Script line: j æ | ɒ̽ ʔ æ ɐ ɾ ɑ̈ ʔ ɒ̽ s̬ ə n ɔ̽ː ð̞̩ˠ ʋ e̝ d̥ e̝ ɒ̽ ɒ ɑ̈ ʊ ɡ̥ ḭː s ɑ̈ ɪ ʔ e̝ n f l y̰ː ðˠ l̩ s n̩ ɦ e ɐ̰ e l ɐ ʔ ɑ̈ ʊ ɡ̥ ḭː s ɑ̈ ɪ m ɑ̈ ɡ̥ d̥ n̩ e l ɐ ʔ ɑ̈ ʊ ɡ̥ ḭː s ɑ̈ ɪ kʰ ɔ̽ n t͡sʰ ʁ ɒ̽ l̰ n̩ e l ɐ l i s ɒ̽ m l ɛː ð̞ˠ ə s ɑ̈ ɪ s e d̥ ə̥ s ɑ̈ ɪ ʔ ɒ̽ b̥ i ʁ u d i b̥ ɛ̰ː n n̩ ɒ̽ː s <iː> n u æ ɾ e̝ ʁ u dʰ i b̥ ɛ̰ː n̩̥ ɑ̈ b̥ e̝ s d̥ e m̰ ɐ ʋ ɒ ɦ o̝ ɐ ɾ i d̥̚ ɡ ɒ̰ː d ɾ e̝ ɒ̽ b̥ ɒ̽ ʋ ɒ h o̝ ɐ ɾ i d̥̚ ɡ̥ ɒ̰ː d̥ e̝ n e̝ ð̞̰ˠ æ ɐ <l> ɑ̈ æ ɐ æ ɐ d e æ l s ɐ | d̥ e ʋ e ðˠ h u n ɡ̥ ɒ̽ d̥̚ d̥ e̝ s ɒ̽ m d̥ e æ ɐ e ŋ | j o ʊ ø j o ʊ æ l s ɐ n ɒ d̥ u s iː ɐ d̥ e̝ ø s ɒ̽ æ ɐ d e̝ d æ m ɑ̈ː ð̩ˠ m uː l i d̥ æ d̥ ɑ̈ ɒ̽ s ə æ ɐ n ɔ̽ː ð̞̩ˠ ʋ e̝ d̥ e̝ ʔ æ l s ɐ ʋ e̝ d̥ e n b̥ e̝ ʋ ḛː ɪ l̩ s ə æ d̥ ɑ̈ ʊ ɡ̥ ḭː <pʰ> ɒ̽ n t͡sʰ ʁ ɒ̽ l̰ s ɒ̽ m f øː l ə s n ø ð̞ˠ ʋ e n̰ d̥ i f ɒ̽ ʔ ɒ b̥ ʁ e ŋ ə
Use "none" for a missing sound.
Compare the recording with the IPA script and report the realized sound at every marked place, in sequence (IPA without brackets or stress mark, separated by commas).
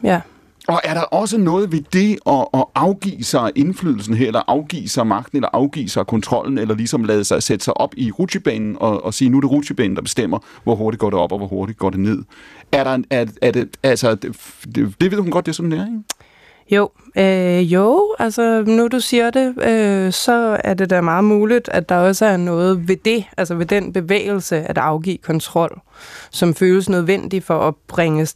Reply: iː, ɾ, kʰ